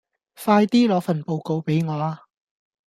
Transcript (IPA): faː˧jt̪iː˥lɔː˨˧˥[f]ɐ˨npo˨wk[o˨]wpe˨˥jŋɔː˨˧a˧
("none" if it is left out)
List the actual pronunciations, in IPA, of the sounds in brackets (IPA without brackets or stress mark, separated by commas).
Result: f, o˨